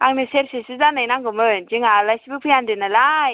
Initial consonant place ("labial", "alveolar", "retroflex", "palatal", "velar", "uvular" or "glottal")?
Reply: velar